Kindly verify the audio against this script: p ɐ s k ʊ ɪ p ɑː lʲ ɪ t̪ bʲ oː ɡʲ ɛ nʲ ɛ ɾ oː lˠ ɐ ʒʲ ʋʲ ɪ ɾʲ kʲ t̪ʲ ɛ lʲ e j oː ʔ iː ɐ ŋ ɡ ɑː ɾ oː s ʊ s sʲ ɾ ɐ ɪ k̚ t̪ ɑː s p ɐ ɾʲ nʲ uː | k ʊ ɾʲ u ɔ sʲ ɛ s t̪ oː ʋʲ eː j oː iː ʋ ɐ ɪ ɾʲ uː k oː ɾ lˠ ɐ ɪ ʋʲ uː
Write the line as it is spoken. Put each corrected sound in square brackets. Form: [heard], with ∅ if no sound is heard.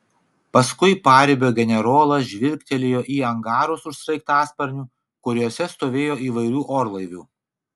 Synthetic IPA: p ɐ s k ʊ ɪ p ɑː [ɾʲ] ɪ [∅] bʲ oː ɡʲ ɛ nʲ ɛ ɾ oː lˠ ɐ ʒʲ ʋʲ ɪ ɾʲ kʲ t̪ʲ ɛ lʲ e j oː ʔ iː ɐ ŋ ɡ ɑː ɾ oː s ʊ [ʃ] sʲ ɾ ɐ ɪ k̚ t̪ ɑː s p ɐ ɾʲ nʲ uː | k ʊ ɾʲ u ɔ sʲ ɛ s t̪ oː ʋʲ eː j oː iː ʋ ɐ ɪ ɾʲ uː [ʔ] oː ɾ lˠ ɐ ɪ ʋʲ uː